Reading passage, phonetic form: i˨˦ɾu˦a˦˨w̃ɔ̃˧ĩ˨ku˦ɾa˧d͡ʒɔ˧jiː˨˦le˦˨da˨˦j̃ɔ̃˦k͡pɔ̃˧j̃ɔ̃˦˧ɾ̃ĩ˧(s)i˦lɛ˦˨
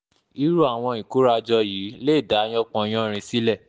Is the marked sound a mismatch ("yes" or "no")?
no